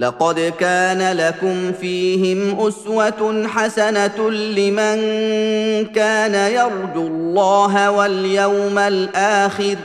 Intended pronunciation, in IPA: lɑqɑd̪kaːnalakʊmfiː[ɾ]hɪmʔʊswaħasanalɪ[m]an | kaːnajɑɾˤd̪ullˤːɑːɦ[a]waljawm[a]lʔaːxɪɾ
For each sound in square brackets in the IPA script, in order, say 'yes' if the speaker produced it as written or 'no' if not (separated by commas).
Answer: no, yes, yes, yes